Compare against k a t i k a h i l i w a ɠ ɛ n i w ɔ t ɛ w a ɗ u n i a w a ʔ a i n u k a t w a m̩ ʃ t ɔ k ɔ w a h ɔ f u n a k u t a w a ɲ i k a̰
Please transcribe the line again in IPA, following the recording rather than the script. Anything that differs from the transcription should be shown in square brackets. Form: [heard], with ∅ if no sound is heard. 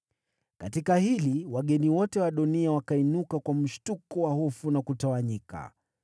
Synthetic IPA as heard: k a t i k a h i l i w a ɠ ɛ n i w ɔ t ɛ w a ɗ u n i a w a [k] a i n u k a [k] w a m̩ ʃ t [u] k ɔ w a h ɔ f u n a k u t a w a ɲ i k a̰